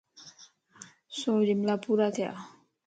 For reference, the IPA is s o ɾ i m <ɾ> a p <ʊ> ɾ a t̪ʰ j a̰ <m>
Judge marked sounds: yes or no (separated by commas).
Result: no, no, no